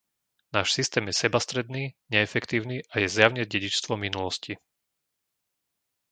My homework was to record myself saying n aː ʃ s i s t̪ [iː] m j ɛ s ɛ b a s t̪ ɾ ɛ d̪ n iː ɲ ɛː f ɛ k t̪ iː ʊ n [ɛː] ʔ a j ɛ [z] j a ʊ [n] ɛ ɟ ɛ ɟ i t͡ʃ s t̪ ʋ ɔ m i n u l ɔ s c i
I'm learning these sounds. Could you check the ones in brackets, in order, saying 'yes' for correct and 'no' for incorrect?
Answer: no, no, yes, no

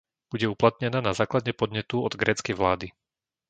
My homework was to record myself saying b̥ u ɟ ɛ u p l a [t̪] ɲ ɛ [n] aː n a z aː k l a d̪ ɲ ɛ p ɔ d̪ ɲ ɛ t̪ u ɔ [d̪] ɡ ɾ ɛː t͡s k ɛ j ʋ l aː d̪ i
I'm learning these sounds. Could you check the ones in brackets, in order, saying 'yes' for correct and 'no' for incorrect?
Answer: yes, yes, yes

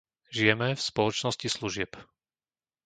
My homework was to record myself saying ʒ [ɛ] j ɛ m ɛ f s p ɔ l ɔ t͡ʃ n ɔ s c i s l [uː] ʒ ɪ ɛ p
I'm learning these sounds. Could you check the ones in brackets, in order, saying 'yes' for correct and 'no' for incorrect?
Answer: no, no

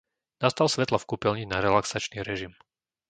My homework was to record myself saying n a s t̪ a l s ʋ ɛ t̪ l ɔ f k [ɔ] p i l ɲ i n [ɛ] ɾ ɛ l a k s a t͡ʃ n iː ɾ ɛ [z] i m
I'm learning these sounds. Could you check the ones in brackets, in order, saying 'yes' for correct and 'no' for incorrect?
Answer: no, no, no

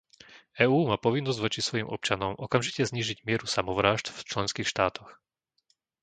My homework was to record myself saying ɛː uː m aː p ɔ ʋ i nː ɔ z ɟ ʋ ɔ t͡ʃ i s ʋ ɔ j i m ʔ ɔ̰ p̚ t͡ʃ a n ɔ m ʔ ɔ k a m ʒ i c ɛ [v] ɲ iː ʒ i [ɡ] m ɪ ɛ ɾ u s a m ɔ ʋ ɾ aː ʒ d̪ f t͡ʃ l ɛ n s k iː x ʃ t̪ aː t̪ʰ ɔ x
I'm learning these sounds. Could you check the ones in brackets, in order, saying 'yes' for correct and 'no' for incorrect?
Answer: no, no

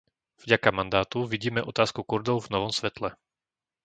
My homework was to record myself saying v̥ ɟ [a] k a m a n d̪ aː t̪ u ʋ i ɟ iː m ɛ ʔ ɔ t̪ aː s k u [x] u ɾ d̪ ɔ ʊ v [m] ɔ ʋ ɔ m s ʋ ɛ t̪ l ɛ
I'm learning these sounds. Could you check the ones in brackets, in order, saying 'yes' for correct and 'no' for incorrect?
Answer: yes, no, no

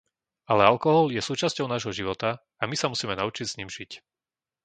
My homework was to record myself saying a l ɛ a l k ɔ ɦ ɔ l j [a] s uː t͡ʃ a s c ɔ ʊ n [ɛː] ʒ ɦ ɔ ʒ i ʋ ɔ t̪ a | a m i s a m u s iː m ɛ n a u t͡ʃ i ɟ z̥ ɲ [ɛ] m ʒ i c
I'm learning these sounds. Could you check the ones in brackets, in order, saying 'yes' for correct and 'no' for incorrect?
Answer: no, no, no

